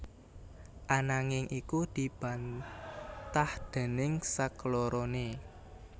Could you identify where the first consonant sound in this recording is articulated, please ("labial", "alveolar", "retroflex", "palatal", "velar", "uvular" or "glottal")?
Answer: glottal